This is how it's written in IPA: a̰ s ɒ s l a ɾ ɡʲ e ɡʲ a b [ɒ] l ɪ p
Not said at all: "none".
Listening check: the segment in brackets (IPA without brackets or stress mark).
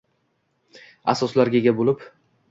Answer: o